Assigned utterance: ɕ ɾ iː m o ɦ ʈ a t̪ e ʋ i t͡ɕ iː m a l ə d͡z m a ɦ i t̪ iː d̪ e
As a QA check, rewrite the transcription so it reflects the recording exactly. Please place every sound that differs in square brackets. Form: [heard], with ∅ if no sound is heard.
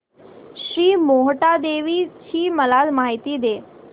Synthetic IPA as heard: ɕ ɾ iː m o ɦ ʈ a [d̪] e ʋ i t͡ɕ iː m [ə] l [a] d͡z m a ɦ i t̪ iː d̪ e